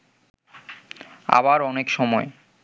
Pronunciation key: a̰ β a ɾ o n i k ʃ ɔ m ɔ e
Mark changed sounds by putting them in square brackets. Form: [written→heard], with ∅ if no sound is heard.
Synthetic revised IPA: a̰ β a ɾ [o→ɔ] n [i→e] k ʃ ɔ m ɔ e